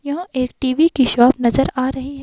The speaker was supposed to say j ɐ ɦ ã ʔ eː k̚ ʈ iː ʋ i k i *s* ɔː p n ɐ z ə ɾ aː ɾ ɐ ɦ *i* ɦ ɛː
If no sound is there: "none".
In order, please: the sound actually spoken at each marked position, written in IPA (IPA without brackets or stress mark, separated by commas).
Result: ʃ, i